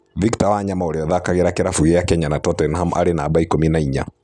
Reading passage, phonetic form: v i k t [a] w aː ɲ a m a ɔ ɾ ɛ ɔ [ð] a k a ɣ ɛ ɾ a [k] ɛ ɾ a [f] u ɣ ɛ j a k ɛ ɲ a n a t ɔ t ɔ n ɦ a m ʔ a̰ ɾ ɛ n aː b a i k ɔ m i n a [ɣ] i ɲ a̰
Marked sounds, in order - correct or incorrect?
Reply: correct, correct, correct, correct, incorrect: none

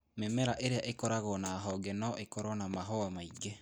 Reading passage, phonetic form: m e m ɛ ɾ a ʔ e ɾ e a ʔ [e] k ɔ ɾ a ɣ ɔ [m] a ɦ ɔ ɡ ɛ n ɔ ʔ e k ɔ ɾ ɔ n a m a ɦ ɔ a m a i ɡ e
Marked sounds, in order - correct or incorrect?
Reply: correct, incorrect: n

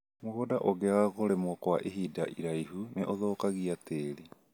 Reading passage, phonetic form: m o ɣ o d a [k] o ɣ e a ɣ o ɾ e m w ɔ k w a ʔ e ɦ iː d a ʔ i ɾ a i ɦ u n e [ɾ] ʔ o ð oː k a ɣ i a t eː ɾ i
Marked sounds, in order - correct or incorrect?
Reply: incorrect: ʔ, incorrect: none

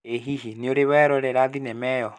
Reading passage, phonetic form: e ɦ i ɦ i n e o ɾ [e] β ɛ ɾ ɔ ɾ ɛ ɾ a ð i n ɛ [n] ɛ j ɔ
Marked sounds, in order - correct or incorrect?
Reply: correct, incorrect: m

